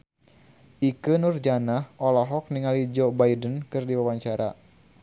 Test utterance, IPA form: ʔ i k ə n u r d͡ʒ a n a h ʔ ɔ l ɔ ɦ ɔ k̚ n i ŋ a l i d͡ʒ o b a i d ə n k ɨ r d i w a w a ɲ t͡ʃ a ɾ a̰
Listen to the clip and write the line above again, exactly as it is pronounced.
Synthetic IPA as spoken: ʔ i k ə n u r d͡ʒ a n a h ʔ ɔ l ɔ ɦ ɔ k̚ n i ŋ a l i d͡ʒ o b a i d ə n k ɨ r d i w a w a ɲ t͡ʃ a ɾ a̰